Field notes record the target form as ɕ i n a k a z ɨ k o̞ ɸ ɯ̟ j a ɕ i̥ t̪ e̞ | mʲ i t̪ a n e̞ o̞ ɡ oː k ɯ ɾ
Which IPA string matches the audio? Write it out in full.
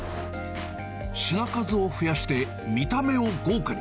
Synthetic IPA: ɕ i n a k a z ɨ o̞ ɸ ɯ̟ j a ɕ i̥ t̪ e̞ | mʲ i t̪ a m e̞ o̞ ɡ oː k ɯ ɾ